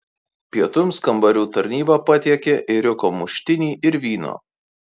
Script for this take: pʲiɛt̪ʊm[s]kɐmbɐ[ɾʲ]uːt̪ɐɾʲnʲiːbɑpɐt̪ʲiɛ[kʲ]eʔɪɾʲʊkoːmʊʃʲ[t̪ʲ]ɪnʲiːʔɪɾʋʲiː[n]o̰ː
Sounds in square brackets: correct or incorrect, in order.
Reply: correct, correct, correct, correct, correct

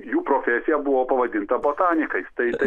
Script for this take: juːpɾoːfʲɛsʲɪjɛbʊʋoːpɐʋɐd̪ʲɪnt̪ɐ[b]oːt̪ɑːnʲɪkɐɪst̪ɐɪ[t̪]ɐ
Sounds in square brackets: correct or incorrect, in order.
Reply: correct, correct

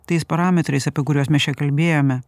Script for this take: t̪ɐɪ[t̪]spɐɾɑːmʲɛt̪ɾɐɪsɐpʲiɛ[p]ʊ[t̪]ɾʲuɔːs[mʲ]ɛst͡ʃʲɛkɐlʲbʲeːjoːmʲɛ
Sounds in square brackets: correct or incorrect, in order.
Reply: incorrect, incorrect, incorrect, correct

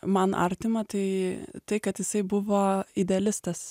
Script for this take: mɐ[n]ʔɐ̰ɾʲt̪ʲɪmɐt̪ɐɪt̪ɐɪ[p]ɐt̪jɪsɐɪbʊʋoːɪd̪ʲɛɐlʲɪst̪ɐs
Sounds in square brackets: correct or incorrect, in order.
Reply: correct, incorrect

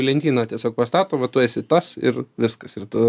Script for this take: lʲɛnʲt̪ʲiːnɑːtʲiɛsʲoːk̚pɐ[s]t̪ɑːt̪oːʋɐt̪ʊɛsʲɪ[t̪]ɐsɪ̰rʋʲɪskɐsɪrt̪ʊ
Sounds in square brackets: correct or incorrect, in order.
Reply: correct, correct

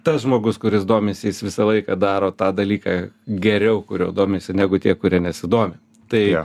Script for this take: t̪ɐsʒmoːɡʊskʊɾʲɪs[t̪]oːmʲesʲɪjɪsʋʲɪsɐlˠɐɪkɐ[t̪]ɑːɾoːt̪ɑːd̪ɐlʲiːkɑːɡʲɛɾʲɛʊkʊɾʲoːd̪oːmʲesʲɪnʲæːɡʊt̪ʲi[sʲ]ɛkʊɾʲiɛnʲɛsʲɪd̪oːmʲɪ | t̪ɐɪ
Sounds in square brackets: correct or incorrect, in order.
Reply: incorrect, incorrect, incorrect

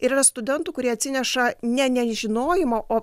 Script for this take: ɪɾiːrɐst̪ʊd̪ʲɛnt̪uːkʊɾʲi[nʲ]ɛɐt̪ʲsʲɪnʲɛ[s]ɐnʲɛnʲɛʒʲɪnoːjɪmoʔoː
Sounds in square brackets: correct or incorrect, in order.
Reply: incorrect, incorrect

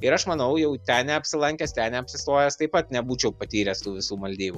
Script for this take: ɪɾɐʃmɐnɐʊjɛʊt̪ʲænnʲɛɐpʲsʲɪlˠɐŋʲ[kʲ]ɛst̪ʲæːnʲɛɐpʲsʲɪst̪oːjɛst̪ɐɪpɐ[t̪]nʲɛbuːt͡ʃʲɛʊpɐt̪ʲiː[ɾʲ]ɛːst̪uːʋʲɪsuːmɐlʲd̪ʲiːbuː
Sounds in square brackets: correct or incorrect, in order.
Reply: correct, correct, correct

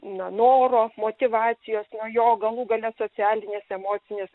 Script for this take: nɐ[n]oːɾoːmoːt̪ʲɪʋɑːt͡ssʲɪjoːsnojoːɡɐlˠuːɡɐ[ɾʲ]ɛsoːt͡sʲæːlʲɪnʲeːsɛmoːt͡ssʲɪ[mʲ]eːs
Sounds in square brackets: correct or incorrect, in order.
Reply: correct, incorrect, incorrect

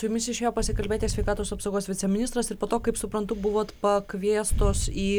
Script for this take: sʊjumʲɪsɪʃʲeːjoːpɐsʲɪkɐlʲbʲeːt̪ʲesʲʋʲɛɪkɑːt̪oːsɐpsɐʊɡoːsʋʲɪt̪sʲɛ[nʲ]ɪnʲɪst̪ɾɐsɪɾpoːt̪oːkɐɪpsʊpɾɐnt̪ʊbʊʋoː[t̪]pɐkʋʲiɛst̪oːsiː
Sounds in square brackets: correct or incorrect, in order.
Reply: incorrect, correct

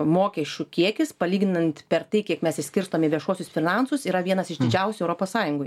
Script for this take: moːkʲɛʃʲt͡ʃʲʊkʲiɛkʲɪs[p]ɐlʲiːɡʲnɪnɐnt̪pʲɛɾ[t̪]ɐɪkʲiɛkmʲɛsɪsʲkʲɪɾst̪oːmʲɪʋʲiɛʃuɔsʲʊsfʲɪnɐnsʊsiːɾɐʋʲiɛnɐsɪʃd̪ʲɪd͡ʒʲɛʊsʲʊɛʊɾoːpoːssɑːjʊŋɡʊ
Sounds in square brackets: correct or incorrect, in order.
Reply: correct, correct

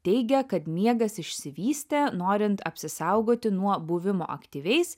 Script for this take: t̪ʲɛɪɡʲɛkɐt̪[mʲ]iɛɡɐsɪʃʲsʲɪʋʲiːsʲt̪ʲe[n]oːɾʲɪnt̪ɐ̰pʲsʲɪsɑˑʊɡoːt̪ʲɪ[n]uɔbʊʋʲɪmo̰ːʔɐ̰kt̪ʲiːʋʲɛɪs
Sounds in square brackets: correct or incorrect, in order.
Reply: correct, correct, correct

